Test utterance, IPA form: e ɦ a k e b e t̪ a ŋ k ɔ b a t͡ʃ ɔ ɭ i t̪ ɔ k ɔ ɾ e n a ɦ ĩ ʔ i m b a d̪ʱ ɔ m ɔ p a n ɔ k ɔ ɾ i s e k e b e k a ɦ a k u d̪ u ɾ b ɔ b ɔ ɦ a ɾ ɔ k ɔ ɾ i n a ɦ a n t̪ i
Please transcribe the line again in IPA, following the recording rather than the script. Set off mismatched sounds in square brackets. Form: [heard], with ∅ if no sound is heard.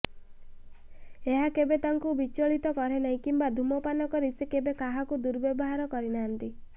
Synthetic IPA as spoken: e ɦ a k e b e t̪ a ŋ k [u] b [i] t͡ʃ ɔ ɭ i t̪ ɔ k ɔ ɾ e n a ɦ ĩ [k] i m b a d̪ʱ [u] m ɔ p a n ɔ k ɔ ɾ i s e k e b e k a ɦ a k u d̪ u ɾ b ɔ b ɔ ɦ a ɾ ɔ k ɔ ɾ i n a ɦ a n t̪ i